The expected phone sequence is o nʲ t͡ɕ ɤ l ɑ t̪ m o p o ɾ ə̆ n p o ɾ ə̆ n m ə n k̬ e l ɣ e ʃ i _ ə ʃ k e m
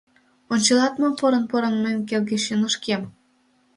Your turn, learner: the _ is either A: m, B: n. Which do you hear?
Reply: B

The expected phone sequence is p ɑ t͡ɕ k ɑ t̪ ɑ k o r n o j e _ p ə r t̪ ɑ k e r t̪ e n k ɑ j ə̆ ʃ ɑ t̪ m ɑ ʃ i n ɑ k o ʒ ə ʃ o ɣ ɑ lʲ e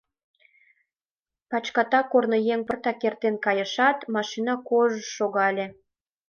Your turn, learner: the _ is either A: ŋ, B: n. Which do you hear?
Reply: A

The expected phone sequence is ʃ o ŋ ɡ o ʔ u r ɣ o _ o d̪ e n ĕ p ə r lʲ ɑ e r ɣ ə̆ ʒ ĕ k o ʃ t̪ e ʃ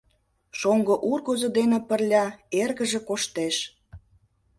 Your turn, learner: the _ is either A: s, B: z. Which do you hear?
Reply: B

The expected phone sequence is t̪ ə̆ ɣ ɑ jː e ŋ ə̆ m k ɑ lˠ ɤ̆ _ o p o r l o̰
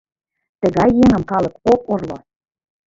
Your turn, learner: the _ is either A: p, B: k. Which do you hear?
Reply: B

